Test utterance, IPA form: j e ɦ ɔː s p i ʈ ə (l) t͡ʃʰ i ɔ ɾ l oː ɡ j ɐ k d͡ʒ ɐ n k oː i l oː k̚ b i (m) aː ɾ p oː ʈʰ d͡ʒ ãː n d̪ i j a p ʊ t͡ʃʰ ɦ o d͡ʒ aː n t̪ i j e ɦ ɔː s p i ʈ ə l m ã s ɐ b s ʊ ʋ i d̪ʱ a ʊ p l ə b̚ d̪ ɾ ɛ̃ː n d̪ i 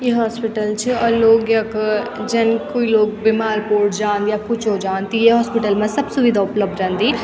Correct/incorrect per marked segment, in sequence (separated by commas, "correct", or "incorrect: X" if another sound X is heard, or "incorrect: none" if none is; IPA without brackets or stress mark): correct, correct